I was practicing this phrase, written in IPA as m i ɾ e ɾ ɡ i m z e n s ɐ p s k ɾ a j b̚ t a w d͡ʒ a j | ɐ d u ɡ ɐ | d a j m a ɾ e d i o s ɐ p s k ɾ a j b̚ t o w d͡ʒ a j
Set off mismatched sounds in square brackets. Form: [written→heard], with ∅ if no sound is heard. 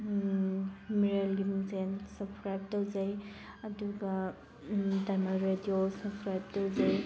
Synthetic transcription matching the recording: m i ɾ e [ɾ→l] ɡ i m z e n s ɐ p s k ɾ a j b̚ t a w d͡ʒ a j | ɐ d u ɡ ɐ | d a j m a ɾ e d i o s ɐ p s k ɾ a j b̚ t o w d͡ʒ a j